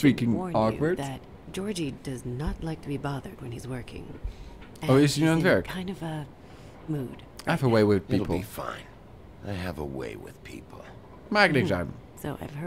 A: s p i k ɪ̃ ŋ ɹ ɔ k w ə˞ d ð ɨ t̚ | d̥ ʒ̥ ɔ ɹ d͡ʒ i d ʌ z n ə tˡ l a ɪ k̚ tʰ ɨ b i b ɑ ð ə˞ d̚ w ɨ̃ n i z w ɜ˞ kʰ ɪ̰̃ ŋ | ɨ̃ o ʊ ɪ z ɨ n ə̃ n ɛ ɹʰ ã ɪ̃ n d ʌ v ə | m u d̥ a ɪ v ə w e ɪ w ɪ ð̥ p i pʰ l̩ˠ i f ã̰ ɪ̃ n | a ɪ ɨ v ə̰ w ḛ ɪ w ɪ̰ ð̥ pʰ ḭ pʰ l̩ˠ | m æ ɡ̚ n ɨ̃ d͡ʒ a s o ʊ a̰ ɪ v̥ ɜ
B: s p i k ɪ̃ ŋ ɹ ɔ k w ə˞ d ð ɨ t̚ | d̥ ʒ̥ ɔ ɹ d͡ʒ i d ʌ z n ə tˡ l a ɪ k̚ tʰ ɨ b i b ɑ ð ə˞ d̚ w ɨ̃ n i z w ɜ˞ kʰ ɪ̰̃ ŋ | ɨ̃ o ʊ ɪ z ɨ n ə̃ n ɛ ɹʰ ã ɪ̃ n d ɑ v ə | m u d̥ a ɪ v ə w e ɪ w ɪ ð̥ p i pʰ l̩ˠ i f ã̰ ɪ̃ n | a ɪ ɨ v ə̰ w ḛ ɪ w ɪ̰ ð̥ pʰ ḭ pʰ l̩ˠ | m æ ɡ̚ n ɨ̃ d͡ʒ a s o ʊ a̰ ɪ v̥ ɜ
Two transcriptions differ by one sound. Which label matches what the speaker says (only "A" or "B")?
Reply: A